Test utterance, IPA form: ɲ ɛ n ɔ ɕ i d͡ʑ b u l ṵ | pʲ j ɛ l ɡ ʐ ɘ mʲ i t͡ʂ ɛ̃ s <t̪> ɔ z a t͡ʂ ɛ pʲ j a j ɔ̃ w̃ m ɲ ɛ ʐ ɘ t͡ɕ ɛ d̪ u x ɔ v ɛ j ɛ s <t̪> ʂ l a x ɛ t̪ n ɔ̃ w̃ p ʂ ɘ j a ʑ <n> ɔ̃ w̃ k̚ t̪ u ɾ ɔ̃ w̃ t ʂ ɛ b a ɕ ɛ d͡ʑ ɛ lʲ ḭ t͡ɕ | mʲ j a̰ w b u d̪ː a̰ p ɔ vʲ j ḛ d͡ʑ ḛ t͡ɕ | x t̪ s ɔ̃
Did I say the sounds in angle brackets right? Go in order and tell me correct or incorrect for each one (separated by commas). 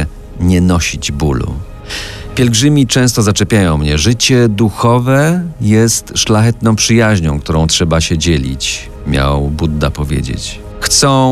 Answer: correct, correct, incorrect